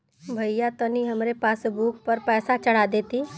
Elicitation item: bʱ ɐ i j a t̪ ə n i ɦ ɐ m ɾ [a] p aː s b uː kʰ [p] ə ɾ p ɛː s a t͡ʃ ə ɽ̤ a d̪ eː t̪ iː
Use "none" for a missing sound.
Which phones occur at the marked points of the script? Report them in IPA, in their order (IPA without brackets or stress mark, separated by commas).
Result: e, p